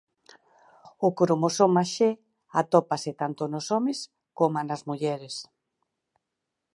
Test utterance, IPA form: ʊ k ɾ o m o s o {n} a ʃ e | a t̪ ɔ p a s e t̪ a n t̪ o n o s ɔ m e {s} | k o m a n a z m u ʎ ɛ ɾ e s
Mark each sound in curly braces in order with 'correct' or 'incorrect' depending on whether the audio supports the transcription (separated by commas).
incorrect, correct